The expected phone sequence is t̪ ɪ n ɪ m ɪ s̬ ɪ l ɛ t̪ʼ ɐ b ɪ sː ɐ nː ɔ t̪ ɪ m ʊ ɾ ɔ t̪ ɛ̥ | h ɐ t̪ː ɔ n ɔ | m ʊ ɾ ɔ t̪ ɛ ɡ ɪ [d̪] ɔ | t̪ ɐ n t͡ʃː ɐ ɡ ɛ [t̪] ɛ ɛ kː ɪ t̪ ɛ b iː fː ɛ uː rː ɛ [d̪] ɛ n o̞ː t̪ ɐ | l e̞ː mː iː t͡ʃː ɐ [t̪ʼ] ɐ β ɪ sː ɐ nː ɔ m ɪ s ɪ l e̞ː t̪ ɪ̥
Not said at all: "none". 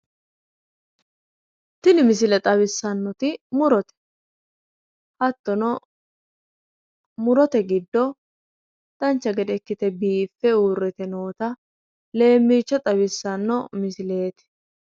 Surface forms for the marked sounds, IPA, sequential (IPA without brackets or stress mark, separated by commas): d̪ː, d̪, t̪, t̪ʼ